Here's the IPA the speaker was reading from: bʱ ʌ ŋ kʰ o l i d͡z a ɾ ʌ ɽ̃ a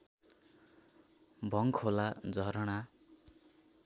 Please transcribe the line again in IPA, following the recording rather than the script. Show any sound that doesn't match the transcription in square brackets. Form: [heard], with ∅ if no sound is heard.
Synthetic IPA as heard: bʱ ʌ ŋ kʰ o l [a] d͡z [ʌ] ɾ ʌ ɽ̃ a